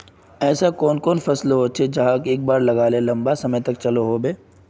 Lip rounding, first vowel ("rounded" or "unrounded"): unrounded